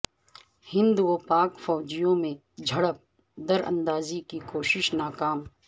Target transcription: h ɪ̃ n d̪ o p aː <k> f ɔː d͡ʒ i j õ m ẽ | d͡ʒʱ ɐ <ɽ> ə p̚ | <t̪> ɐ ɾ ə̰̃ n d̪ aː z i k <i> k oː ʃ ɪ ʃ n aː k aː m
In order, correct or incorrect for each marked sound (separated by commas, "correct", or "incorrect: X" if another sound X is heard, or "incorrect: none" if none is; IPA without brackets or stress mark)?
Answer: correct, correct, incorrect: d̪, correct